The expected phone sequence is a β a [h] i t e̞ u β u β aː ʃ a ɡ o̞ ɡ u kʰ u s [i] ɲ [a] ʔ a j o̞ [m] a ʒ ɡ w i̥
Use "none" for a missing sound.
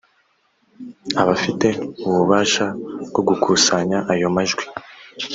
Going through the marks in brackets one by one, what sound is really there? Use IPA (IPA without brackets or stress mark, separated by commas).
f, a, a, m